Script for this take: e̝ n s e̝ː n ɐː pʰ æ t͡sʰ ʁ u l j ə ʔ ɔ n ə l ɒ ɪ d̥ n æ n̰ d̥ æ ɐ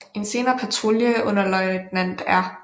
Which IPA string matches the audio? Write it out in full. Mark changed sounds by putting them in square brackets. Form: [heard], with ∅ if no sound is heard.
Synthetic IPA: e̝ n s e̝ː n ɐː pʰ æ t͡sʰ ʁ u l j ə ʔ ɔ n [ɐ] l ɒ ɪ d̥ n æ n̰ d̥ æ ɐ